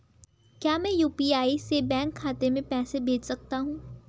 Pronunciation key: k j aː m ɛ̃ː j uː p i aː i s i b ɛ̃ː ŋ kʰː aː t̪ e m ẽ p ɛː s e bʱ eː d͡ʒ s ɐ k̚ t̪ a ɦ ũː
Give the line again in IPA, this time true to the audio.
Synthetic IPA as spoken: k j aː m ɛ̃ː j uː p i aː i s e b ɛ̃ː ŋ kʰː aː t̪ e m ẽ p ɛː s e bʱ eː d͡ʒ s ɐ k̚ t̪ a ɦ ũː